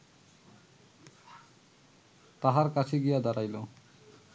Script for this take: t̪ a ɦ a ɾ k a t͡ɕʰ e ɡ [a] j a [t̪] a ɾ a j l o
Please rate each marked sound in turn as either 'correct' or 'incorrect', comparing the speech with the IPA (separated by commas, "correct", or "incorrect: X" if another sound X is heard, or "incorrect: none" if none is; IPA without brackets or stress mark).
incorrect: i, incorrect: d̪